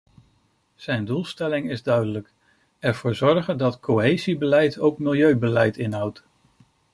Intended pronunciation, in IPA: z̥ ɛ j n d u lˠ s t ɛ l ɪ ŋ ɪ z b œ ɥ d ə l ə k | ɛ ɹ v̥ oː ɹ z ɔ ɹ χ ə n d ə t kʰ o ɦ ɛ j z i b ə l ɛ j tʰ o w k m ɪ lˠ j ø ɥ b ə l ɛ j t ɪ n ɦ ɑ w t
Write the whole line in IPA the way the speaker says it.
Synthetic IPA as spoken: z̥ ɛ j n d u lˠ s t ɛ l ɪ ŋ ɪ z d œ ɥ d ə l ə k | ɛ ɹ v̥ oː ɹ z ɔ ɹ χ ə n d ɑ t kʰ o ɦ e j z i b ə l ɛ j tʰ o w k m ɪ lˠ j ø ɥ b ə l ɛ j t ɪ n ɦ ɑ w t